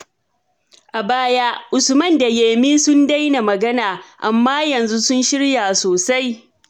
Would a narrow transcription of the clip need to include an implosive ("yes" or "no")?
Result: no